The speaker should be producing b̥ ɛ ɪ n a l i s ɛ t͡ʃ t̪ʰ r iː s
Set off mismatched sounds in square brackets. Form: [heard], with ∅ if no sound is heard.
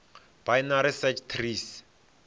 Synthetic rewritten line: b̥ [a] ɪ n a [ɾ] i s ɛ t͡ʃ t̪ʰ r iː s